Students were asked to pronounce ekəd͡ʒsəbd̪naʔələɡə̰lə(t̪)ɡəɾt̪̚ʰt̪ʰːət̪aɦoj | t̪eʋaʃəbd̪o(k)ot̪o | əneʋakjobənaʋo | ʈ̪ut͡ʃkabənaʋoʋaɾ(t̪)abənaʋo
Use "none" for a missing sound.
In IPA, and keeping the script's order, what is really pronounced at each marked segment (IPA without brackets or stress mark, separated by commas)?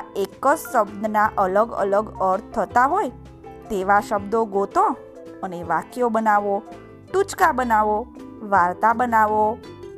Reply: none, ɡ, t̪